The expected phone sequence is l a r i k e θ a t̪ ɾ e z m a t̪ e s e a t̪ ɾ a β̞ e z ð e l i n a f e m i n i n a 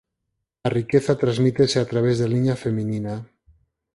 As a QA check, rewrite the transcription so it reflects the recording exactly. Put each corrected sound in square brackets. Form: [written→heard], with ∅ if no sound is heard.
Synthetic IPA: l a r i k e θ a t̪ ɾ [e→a] z m [a→i] t̪ e s e a t̪ ɾ a β̞ e z ð e l i [n→ɲ] a f e m i n i n a